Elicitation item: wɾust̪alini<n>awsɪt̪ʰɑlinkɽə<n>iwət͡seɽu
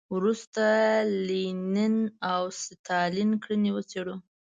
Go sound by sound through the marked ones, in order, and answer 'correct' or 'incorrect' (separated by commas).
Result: correct, correct